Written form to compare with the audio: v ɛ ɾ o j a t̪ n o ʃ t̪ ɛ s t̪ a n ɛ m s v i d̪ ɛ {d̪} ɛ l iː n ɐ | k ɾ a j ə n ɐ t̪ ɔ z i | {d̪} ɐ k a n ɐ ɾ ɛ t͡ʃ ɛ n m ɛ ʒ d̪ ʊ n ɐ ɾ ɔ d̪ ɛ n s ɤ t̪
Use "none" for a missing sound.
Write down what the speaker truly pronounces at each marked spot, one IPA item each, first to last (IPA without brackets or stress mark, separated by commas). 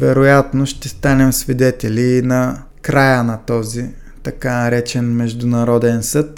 t̪, t̪